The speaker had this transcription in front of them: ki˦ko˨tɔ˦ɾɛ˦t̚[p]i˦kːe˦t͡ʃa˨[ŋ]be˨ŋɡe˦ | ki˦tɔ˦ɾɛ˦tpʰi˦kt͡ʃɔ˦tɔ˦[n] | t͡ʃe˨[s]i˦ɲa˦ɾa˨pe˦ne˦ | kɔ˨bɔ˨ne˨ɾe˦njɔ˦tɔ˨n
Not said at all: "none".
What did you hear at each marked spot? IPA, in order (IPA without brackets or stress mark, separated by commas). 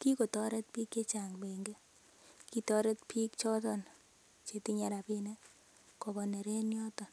p, ŋ, n, t